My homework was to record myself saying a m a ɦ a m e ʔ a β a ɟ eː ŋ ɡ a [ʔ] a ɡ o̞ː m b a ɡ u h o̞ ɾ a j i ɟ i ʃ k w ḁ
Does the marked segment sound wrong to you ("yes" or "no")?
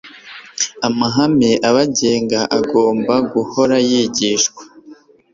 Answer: no